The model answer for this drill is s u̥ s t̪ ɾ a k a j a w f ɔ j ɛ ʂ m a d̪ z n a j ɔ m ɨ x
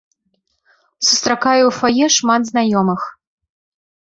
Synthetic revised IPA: s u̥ s t̪ ɾ a k a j ɛ w f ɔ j ɛ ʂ m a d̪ z n a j ɔ m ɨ x